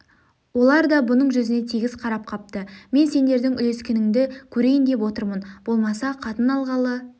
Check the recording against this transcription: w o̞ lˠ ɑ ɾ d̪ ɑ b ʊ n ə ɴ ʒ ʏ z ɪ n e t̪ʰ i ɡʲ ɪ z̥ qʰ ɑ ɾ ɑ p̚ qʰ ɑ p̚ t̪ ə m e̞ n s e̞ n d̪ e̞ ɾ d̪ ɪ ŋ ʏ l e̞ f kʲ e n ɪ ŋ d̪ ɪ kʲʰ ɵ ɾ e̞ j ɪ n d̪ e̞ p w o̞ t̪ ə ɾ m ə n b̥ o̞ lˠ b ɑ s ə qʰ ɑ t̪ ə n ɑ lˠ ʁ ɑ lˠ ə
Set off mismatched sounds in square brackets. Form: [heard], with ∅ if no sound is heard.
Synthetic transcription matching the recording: w o̞ lˠ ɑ ɾ d̪ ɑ b ʊ n ə ɴ ʒ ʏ z ɪ n e t̪ʰ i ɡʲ ɪ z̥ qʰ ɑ ɾ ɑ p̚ qʰ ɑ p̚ t̪ ə m e̞ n s e̞ n d̪ e̞ ɾ d̪ ɪ ŋ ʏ l e̞ [s] kʲ e n ɪ ŋ d̪ ɪ kʲʰ ɵ ɾ e̞ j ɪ n d̪ e̞ p w o̞ t̪ ə ɾ m ə n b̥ o̞ lˠ [m] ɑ s [ɑ] qʰ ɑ t̪ ə n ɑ lˠ ʁ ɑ lˠ ə